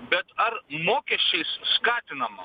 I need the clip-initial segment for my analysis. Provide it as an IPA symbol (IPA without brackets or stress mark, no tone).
b